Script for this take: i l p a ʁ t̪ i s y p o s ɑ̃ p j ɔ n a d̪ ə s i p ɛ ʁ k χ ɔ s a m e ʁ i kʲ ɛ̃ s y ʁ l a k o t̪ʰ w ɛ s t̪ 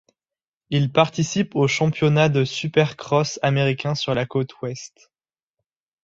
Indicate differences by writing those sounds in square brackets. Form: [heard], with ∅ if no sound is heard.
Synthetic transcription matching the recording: i l p a ʁ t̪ i s [i] p o [ʃ] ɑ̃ p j ɔ n a d̪ ə s [y] p ɛ ʁ k χ ɔ s a m e ʁ i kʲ ɛ̃ s y ʁ l a k o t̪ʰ w ɛ s t̪

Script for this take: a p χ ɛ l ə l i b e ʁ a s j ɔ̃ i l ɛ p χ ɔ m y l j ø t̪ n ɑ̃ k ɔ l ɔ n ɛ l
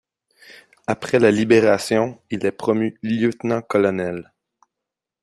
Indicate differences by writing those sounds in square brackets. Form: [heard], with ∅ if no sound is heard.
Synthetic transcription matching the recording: a p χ ɛ l [a] l i b e ʁ a s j ɔ̃ i l ɛ p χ ɔ m y l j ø t̪ n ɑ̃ k ɔ l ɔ n ɛ l

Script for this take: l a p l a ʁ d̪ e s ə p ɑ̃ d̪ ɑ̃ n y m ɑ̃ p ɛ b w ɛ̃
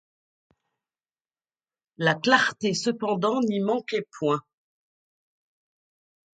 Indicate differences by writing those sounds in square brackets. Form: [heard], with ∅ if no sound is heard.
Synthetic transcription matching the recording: l a [k] l a ʁ [t̪] e s ə p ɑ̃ d̪ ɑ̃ n [i] m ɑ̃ [k] ɛ [p] w ɛ̃

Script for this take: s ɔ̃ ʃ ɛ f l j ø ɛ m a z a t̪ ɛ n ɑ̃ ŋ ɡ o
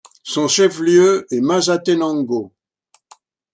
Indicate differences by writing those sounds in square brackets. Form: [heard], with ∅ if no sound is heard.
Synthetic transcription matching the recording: s ɔ̃ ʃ ɛ f l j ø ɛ m a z a t̪ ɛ n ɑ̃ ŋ ɡ o

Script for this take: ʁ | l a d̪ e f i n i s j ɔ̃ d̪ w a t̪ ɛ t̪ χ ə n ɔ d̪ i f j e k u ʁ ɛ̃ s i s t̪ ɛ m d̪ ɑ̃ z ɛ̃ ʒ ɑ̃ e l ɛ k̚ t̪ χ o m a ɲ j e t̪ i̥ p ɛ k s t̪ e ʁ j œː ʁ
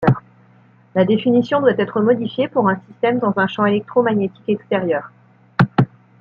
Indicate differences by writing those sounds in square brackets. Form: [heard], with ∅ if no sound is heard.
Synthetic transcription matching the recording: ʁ | l a d̪ e f i n i s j ɔ̃ d̪ w a t̪ ɛ t̪ χ ə [m] ɔ d̪ i f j e [p] u ʁ ɛ̃ s i s t̪ ɛ m d̪ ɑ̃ z ɛ̃ [ʃ] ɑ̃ e l ɛ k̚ t̪ χ o m a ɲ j e t̪ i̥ [k] ɛ k s t̪ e ʁ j œː ʁ

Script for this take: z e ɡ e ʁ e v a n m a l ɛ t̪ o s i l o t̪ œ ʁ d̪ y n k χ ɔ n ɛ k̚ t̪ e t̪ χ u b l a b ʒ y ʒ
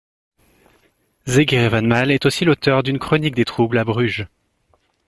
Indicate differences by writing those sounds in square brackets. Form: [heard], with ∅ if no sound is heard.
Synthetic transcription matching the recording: z e ɡ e ʁ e v a n m a l ɛ t̪ o s i l o t̪ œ ʁ d̪ y n k χ ɔ n [i] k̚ [d̪] e t̪ χ u b l a b [ʁ] y ʒ

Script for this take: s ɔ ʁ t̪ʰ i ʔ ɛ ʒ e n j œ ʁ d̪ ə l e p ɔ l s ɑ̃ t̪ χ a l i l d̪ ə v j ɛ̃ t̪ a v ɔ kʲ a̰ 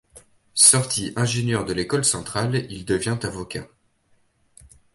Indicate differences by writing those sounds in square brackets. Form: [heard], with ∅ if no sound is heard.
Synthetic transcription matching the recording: s ɔ ʁ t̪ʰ i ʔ [ɛ̃] ʒ e n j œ ʁ d̪ ə l e [k] ɔ l s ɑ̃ t̪ χ a l i l d̪ ə v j ɛ̃ t̪ a v ɔ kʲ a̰

